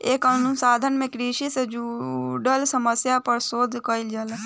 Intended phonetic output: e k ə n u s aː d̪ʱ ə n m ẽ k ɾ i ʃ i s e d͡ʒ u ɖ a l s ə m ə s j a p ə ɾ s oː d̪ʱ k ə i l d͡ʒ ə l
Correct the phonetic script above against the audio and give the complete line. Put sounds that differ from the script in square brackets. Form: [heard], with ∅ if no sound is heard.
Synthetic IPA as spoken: e k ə n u s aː d̪ʱ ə n m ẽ k ɾ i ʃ i s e d͡ʒ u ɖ [ə] l s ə m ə s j a p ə ɾ s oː d̪ʱ k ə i l d͡ʒ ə l